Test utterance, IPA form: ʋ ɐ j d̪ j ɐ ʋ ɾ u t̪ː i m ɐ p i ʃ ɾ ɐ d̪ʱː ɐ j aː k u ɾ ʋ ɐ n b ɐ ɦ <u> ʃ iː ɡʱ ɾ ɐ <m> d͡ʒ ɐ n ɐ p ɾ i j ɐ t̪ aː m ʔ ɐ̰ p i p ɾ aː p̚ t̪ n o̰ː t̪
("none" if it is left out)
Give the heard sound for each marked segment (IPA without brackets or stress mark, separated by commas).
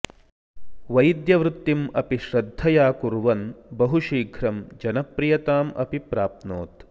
u, m